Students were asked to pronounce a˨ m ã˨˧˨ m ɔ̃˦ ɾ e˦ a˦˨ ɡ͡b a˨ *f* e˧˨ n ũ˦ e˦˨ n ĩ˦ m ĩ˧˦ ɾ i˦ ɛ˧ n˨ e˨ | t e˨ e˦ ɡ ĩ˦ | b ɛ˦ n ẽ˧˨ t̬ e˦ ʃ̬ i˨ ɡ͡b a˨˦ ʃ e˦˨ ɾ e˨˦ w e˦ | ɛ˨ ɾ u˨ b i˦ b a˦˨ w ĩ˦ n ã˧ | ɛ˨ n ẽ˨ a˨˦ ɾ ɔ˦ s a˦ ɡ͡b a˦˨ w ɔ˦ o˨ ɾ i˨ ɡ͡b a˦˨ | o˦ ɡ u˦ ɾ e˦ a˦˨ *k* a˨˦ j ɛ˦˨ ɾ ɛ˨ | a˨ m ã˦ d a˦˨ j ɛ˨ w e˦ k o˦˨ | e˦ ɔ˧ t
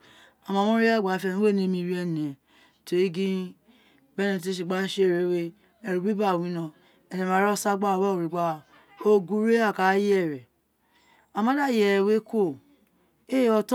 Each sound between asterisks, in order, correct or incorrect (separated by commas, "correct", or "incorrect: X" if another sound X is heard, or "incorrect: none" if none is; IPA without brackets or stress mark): correct, correct